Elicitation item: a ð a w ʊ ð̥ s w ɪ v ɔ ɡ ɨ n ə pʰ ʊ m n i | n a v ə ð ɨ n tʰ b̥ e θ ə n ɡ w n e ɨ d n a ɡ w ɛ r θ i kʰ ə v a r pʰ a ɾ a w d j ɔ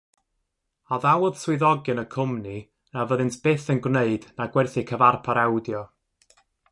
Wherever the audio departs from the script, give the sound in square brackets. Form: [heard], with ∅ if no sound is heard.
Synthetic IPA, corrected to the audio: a ð a w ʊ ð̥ s w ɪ [ð] ɔ ɡ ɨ n ə [kʰ] ʊ m n i | n a v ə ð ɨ n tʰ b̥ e θ ə n ɡ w n e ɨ d n a ɡ w ɛ r θ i kʰ ə v a r pʰ a ɾ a w d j ɔ

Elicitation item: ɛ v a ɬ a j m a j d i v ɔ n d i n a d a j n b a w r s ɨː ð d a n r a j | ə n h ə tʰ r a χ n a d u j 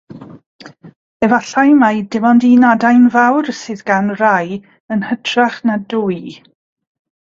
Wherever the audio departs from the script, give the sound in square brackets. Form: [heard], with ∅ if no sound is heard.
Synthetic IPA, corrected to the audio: ɛ v a ɬ a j m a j d [ɪ] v ɔ n d i n a d a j n [v] a w r s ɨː ð [ɡ] a n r a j | ə n h ə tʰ r a χ n a d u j

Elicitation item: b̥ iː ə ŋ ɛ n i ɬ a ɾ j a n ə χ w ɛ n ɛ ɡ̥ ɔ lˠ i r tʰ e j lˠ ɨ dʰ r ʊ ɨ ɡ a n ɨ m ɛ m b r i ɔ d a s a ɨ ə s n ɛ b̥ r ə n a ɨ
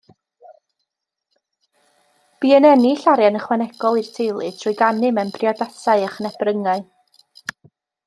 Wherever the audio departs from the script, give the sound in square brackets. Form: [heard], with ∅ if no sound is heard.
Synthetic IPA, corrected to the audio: b̥ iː ə [n] ɛ n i ɬ a ɾ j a n ə χ w ɛ n ɛ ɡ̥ ɔ lˠ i r tʰ e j lˠ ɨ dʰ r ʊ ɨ ɡ a n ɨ m ɛ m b r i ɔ d a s a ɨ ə [χ] n ɛ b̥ r ə [ŋ] a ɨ

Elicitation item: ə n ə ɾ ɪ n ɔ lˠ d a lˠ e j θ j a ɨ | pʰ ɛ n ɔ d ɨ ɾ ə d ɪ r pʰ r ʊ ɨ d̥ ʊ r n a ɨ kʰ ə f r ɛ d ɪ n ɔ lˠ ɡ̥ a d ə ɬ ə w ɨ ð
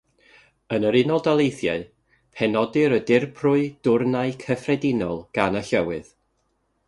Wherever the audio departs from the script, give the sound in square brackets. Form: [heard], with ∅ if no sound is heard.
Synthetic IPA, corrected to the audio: ə n ə ɾ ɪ n ɔ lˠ d a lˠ e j θ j a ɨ | pʰ ɛ n ɔ d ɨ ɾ ə d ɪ r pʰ r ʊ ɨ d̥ ʊ r n a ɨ kʰ ə f r ɛ d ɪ n ɔ lˠ ɡ̥ a [n] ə ɬ ə w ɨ ð

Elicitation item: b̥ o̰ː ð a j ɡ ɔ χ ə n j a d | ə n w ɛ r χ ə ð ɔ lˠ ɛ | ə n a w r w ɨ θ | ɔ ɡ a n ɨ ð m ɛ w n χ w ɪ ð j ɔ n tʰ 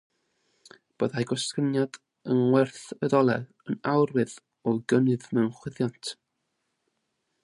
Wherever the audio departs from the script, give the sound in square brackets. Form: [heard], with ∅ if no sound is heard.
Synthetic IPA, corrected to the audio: b̥ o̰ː ð a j ɡ ɔ [s] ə n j a d | ə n w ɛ r [θ] ə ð ɔ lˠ ɛ | ə n a w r w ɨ [ð] | ɔ ɡ [ə] n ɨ ð m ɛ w n χ w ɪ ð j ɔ n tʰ

